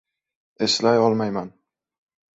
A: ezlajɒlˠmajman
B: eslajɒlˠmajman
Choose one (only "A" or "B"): B